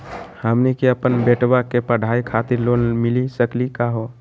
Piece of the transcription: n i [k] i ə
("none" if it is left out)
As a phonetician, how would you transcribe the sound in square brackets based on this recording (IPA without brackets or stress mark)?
k